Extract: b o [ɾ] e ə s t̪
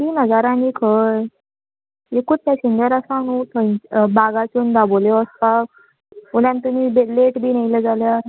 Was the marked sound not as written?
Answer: yes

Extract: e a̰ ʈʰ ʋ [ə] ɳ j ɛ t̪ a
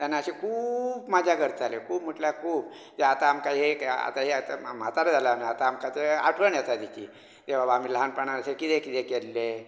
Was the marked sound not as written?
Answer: no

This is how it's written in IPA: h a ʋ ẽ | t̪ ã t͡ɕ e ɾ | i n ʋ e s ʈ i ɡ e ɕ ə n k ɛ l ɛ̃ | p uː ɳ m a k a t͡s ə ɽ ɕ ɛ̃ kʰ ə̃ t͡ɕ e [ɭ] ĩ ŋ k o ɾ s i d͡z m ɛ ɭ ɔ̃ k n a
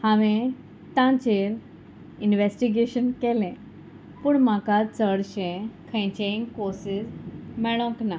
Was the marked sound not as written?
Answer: yes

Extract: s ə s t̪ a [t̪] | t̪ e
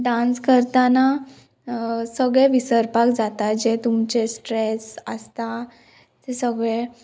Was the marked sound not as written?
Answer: yes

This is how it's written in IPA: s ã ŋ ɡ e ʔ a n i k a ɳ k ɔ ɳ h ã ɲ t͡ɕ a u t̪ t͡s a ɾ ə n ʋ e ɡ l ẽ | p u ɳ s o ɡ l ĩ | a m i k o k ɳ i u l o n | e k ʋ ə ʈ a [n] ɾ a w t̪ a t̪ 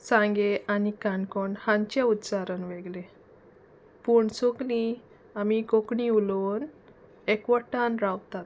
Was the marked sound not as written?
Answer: no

